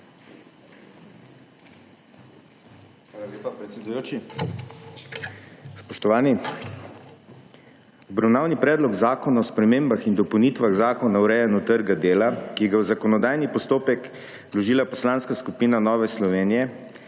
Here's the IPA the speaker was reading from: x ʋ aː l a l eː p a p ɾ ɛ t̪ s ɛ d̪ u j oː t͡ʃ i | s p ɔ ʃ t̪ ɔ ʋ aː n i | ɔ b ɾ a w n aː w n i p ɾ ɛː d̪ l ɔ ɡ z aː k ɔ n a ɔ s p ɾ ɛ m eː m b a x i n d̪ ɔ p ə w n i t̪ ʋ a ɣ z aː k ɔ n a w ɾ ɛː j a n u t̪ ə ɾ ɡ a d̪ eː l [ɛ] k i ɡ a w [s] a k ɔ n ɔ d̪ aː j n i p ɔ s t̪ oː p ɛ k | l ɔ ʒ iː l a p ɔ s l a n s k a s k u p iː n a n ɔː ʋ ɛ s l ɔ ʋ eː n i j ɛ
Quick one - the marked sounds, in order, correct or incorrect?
incorrect, incorrect

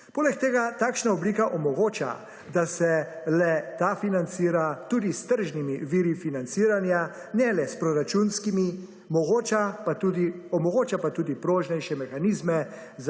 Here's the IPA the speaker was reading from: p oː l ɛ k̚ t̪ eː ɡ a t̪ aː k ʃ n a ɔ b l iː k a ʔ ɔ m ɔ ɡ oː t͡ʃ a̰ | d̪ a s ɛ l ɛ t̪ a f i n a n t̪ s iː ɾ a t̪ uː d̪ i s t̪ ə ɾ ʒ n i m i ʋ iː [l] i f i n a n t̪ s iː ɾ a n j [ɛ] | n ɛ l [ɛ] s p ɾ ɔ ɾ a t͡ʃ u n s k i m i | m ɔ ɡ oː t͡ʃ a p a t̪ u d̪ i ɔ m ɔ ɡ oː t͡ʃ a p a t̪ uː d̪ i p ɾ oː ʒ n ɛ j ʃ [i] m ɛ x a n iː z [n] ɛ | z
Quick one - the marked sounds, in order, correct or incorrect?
incorrect, incorrect, correct, incorrect, incorrect

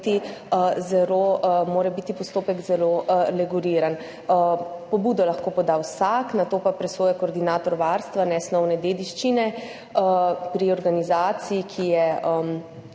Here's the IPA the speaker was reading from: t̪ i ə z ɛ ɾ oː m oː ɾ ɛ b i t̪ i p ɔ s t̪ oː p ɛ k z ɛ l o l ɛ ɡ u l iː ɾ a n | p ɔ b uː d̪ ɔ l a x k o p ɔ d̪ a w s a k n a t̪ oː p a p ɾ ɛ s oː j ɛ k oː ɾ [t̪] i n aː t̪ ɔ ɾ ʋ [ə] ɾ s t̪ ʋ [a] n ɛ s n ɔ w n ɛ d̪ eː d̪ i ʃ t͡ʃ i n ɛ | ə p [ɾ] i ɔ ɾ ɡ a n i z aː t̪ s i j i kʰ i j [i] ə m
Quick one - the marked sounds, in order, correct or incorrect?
incorrect, incorrect, correct, correct, incorrect

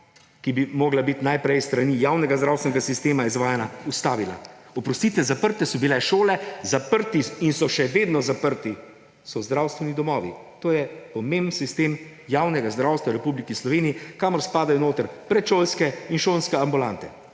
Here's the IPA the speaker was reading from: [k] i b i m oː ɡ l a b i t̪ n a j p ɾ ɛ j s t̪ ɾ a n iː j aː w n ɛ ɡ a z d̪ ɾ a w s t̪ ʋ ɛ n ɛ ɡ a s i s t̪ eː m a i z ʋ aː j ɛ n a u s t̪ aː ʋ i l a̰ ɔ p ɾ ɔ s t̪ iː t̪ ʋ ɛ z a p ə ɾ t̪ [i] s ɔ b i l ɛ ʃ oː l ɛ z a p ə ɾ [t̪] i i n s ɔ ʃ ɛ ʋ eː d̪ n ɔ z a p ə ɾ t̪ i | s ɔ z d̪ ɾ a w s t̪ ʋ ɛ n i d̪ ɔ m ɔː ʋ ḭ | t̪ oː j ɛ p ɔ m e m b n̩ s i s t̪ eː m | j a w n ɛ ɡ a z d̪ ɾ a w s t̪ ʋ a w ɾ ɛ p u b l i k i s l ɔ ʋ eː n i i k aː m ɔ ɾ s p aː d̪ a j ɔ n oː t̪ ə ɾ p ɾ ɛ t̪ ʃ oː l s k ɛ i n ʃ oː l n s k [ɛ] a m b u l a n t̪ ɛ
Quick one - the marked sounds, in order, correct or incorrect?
correct, incorrect, correct, correct

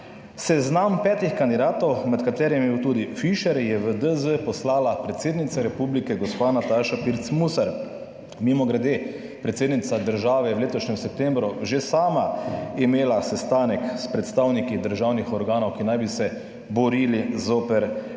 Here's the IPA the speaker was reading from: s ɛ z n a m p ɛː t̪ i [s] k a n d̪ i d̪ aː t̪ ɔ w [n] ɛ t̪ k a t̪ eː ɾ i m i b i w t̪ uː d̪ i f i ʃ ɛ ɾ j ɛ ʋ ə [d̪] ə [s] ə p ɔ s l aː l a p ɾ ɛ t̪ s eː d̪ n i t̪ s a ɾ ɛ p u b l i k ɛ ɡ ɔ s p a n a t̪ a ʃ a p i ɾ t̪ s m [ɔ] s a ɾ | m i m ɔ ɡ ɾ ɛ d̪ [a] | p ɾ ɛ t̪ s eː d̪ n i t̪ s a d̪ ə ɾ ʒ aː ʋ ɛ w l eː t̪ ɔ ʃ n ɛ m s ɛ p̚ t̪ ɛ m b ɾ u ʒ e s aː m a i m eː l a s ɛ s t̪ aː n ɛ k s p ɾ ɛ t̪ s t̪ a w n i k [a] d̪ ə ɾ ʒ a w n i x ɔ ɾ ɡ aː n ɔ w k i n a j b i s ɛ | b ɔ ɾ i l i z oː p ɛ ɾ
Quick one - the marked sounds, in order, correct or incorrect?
incorrect, incorrect, correct, incorrect, incorrect, incorrect, incorrect

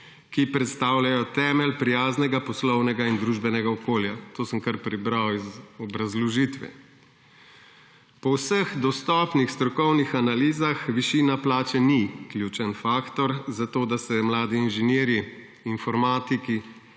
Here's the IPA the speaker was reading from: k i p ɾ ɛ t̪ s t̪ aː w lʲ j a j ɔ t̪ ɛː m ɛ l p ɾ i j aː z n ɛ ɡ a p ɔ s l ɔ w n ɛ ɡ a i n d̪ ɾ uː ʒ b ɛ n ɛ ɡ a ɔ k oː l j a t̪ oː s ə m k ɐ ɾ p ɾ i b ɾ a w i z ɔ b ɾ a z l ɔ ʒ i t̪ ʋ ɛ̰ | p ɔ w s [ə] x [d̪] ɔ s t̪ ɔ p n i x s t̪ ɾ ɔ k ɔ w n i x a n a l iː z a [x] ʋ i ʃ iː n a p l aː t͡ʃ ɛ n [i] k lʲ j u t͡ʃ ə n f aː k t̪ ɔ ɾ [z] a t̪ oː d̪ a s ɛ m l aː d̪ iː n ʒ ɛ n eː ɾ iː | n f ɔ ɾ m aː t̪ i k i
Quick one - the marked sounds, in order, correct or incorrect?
correct, correct, correct, correct, correct

